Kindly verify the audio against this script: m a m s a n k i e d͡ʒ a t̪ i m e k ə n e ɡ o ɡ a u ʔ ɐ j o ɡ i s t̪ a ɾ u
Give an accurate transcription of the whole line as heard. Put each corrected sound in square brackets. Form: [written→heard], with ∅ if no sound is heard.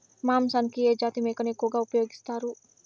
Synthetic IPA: m a m s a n k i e d͡ʒ a t̪ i m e k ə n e [ɡ→k] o ɡ a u [ʔ→p] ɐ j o ɡ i s t̪ a ɾ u